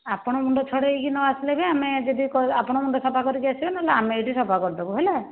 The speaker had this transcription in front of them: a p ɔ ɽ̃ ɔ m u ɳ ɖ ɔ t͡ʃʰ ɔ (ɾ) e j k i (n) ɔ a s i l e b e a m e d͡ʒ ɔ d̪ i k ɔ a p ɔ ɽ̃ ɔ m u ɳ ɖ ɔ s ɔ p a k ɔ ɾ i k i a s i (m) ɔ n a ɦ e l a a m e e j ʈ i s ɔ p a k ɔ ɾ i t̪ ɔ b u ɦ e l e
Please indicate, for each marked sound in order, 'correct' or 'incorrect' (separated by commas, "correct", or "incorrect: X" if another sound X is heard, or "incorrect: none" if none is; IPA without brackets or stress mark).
incorrect: ɽ, correct, incorrect: b